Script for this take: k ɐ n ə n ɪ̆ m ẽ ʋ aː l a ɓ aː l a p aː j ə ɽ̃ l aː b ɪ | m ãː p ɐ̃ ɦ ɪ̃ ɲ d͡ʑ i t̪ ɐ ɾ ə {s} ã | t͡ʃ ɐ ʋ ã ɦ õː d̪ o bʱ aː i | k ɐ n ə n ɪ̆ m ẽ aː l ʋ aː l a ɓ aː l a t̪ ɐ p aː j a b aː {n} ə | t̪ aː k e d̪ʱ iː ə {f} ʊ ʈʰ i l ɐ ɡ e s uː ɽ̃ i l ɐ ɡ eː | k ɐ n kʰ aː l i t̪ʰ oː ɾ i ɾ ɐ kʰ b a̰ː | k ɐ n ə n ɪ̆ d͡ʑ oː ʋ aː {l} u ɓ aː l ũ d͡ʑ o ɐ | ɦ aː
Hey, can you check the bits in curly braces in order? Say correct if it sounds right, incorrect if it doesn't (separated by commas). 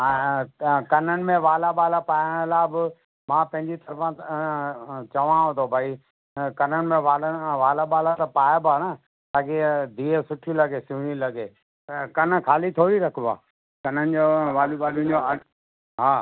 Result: incorrect, correct, incorrect, correct